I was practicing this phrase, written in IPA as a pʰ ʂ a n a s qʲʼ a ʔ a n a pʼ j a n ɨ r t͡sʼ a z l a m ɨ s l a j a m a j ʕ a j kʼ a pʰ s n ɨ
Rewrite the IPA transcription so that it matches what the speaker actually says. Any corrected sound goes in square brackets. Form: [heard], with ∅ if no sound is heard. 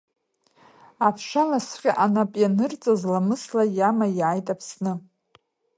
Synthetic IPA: a pʰ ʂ a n a s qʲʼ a ʔ a n a pʼ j a n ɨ r t͡sʼ a z l a m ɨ s l a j a m a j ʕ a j [tʼ] a pʰ s n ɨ